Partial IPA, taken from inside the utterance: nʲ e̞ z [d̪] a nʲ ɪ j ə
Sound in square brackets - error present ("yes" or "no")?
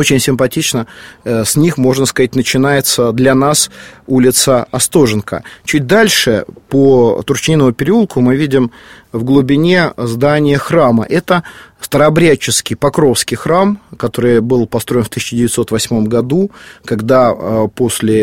no